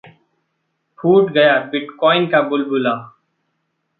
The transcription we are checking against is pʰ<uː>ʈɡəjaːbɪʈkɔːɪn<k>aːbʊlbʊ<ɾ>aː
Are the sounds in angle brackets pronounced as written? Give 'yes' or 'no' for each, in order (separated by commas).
yes, yes, no